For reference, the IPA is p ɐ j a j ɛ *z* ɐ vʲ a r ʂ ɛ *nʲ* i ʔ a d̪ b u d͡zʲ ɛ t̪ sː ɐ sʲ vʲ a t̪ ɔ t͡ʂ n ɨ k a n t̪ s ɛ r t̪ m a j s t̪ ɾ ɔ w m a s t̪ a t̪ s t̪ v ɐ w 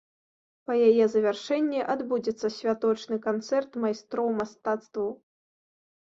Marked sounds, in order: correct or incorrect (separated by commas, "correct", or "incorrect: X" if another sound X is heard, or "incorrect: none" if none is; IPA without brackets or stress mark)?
correct, incorrect: nʲː